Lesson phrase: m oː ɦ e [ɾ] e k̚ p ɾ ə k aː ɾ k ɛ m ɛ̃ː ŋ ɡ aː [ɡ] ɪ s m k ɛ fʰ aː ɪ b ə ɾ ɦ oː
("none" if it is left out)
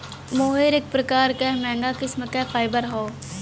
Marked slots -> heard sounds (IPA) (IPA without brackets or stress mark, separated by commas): ɾ, k